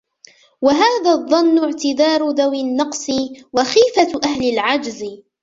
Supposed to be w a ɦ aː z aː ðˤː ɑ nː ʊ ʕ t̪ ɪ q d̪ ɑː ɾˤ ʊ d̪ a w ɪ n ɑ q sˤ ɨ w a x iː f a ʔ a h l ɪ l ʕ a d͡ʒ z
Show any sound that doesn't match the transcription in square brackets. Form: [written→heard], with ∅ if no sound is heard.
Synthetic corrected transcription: w a ɦ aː [z→ð] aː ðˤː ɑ nː ʊ ʕ t̪ ɪ [q→∅] d̪ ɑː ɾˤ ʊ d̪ a w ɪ [n→nː] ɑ q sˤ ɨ w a x iː f a ʔ a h l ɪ l ʕ a d͡ʒ z